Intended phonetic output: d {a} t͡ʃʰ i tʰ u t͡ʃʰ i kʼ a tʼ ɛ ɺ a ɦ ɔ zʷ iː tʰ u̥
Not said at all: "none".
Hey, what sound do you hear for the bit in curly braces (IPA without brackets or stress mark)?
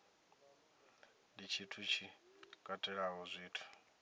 i